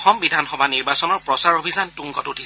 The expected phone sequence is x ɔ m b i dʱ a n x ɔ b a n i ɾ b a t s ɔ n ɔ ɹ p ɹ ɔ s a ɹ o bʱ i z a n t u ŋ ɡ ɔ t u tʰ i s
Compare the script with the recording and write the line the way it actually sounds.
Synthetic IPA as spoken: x ɔ m b i dʱ a n x ɔ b a n i ɹ b a s ɔ n ɔ ɹ p ɹ ɔ s a ɹ o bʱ i z a n t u ŋ ɡ ɔ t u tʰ i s